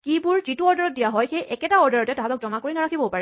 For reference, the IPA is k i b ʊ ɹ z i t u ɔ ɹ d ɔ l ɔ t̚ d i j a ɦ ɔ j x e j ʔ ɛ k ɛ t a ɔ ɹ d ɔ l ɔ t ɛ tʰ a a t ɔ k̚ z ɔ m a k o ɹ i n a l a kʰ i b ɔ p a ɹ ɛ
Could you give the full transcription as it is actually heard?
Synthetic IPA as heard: k i b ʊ ɹ z i t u ɔ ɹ d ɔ ɹ ɔ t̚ d i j a ɦ ɔ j x e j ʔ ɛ k ɛ t a ɔ ɹ d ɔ ɹ ɔ t ɛ t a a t ɔ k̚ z ɔ m a k o ɹ i n a ɹ a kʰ i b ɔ p a ɹ ɛ